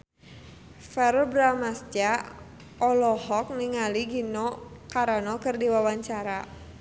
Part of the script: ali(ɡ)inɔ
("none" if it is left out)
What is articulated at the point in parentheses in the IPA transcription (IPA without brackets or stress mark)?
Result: ɡ